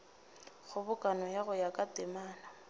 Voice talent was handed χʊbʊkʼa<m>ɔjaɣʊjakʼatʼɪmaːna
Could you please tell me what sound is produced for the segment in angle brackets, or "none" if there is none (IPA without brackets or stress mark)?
n